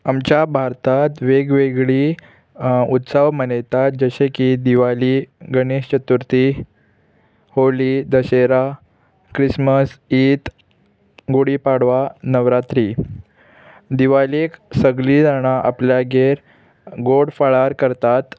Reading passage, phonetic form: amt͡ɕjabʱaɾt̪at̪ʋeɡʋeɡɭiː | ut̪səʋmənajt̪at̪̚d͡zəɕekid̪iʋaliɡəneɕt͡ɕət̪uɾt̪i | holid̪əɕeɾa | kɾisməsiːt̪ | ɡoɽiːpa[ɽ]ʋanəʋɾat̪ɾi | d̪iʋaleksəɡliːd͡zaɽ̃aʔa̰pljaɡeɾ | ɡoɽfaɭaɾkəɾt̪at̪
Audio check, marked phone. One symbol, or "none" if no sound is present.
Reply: ɽ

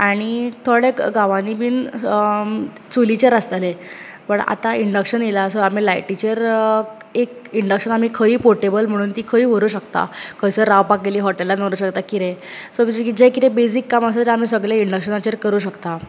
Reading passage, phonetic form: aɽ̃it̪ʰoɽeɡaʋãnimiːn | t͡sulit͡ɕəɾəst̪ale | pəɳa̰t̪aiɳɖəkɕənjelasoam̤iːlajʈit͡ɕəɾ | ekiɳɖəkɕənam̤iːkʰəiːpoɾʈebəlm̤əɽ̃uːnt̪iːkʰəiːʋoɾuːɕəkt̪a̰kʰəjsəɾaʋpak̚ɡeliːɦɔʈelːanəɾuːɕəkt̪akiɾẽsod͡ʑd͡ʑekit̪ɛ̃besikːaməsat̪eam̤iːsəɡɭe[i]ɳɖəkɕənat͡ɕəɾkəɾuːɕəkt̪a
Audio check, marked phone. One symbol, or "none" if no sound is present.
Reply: i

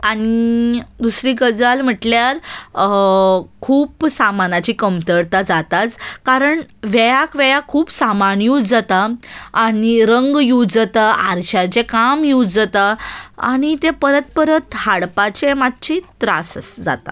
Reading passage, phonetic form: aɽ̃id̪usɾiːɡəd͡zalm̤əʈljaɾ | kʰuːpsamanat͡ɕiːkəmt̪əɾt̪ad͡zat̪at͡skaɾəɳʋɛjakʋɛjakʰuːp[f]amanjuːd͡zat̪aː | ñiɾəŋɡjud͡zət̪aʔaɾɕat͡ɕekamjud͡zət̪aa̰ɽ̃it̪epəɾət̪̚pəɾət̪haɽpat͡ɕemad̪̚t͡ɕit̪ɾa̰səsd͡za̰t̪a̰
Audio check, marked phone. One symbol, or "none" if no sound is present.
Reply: s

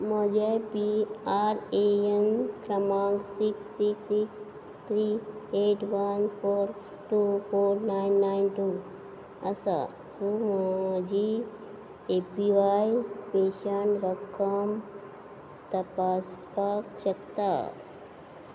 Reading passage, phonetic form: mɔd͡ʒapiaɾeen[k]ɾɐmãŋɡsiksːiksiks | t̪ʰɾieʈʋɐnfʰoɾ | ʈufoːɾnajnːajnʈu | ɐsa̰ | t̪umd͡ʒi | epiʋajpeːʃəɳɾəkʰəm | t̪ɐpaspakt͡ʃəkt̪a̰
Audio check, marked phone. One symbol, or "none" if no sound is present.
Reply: k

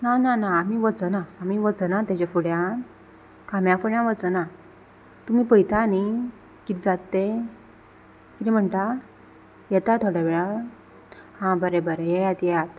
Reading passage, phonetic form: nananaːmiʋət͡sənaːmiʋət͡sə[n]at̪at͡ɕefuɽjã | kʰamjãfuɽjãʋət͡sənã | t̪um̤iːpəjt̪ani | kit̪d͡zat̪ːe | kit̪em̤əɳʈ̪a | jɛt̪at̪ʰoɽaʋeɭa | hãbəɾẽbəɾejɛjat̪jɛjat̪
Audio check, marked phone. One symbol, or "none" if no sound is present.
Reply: n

